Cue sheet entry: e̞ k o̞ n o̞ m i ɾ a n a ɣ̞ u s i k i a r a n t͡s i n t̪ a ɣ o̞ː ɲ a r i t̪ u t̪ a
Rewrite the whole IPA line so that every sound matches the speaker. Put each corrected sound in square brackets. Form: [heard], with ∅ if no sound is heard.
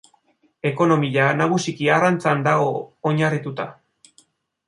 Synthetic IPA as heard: e̞ k o̞ n o̞ m i [ʎ] a n a ɣ̞ u s i k i a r a n t͡s [a] n [d̪] a ɣ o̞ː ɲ a r i t̪ u t̪ a